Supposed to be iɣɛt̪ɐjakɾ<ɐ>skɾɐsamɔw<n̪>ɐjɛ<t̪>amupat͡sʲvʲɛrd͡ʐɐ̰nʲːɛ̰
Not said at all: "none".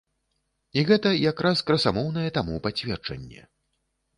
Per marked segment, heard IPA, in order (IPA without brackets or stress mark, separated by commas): a, n̪, t̪